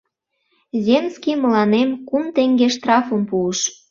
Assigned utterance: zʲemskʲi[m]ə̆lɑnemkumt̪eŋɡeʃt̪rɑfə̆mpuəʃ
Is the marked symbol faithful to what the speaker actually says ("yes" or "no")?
yes